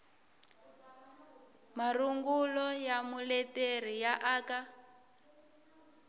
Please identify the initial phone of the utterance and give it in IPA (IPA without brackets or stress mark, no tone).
m